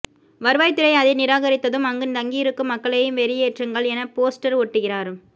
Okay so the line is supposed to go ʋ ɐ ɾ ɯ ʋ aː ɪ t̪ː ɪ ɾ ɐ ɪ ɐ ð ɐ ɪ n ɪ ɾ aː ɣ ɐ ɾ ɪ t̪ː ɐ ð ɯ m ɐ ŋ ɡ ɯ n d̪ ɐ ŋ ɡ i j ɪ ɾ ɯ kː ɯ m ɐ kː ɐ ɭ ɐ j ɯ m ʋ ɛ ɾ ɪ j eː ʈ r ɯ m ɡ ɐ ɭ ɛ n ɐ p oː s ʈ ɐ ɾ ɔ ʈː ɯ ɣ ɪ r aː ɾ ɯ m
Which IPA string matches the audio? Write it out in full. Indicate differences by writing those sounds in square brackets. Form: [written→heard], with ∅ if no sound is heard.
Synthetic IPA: ʋ ɐ ɾ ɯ ʋ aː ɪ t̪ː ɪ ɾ ɐ ɪ ɐ ð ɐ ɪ n ɪ ɾ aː ɣ ɐ ɾ ɪ t̪ː ɐ ð ɯ m ɐ ŋ ɡ ɯ n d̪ ɐ ŋ ɡ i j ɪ ɾ ɯ kː ɯ m ɐ kː ɐ ɭ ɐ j ɯ m ʋ ɛ ɾ ɪ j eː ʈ r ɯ [m→ŋ] ɡ ɐ ɭ ɛ n ɐ p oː s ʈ ɐ ɾ ɔ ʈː ɯ ɣ ɪ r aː ɾ ɯ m